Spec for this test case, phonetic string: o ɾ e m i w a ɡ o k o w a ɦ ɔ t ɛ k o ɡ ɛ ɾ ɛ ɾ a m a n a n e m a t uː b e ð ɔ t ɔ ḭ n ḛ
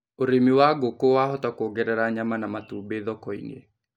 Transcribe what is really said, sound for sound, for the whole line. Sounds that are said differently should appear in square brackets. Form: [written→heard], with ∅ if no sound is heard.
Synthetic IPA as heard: o ɾ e m i w a ɡ o k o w a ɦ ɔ t [ɛ→a] k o ɡ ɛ ɾ ɛ ɾ a [m→ɲ] a [n→m] a n [e→a] m a t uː b e ð ɔ [t→k] ɔ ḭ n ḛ